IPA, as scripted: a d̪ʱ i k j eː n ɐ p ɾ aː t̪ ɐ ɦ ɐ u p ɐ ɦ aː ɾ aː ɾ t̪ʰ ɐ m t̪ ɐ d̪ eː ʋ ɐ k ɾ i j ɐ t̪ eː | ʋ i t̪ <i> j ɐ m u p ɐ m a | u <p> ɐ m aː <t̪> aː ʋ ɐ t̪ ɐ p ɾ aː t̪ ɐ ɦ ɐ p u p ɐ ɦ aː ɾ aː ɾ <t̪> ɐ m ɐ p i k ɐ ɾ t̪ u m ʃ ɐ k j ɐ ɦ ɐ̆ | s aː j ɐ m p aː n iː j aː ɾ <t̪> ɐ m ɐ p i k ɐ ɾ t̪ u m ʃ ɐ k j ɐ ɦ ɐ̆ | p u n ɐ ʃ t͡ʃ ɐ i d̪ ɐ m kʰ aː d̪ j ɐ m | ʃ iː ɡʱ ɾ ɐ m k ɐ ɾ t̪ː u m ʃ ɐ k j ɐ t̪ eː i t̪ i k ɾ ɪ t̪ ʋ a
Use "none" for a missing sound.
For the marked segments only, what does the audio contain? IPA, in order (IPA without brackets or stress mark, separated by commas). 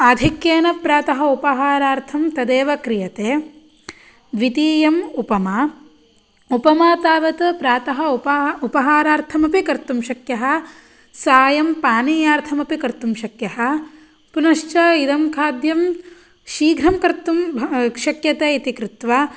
iː, p, t̪, t̪ʰ, t̪ʰ